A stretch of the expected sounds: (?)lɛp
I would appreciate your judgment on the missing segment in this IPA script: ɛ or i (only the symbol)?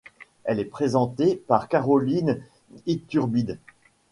ɛ